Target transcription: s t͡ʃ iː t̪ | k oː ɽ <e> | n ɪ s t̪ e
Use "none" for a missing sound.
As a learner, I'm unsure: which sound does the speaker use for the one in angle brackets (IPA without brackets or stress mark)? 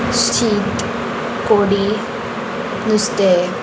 i